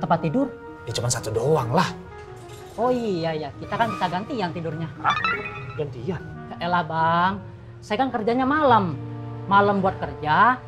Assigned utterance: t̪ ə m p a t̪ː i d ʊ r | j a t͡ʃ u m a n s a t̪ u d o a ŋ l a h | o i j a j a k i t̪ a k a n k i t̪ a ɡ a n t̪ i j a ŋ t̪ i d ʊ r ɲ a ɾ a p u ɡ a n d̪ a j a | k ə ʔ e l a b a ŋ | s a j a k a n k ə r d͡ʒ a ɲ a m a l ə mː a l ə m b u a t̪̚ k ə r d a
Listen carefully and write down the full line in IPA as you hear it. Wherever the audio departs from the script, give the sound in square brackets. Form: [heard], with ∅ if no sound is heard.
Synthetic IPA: t̪ ə m p a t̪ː i d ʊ r | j a t͡ʃ u m a n s a t̪ u d o a ŋ l a h | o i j a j a k i t̪ a k a n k i t̪ a ɡ a n t̪ i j a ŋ t̪ i d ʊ r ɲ a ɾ a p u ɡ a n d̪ [i] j a | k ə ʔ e l a b a ŋ | s a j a k a n k ə r d͡ʒ a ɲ a m a l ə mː a l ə m b u a t̪̚ k ə r [d͡ʒ] a